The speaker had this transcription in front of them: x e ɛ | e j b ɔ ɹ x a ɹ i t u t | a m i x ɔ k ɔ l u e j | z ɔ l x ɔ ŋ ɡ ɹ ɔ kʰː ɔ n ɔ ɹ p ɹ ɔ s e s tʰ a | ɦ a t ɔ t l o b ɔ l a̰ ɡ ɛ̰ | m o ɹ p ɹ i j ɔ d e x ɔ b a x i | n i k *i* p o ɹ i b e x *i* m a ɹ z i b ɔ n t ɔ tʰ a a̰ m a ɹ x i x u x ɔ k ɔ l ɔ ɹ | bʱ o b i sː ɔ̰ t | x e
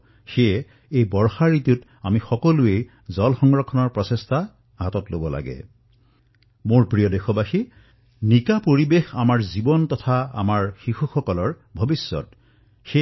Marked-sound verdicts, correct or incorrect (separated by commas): incorrect, incorrect